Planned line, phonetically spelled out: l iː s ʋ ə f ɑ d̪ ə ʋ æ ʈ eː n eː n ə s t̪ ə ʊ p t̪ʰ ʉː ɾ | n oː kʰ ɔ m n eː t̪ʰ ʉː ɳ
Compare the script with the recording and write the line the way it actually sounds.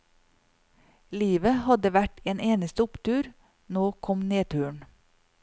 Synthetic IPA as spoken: l iː ʋ ə h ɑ d̪ ə ʋ æ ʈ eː n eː n ə s t̪ ə ʊ p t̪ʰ ʉː ɾ | n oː kʰ ɔ m n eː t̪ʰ ʉː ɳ